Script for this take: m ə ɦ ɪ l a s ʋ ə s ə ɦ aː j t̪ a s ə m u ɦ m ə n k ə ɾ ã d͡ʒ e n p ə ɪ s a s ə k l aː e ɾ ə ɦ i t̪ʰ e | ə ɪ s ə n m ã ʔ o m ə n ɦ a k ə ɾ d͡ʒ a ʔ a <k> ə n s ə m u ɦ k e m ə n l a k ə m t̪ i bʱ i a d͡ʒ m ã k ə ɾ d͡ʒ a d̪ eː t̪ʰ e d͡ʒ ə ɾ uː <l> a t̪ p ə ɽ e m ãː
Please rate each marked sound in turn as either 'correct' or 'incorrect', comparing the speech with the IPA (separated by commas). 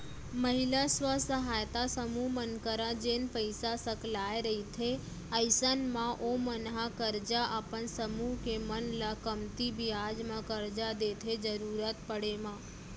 incorrect, incorrect